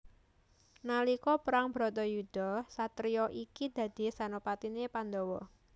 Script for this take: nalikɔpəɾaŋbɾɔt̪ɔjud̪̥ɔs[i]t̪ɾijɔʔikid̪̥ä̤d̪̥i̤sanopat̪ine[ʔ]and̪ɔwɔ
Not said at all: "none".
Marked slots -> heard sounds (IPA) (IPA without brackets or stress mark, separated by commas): a, p